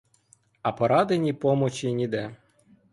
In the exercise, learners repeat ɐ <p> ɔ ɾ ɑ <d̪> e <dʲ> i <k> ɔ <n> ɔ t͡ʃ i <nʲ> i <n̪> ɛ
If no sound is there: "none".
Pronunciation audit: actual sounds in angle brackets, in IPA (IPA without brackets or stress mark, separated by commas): p, d̪, nʲ, p, m, nʲ, d̪